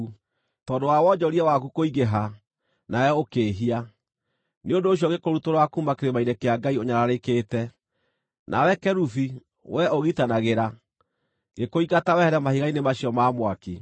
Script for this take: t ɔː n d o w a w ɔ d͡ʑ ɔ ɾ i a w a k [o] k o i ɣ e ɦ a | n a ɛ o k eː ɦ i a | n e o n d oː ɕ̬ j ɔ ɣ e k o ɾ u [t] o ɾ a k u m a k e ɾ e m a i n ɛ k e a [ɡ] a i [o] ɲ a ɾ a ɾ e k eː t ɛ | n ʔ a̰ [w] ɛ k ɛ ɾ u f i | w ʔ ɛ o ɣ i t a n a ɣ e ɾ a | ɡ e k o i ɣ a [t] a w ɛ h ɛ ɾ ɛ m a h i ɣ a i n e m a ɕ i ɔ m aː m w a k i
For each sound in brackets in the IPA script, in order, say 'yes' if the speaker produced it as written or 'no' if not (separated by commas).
no, yes, yes, yes, yes, yes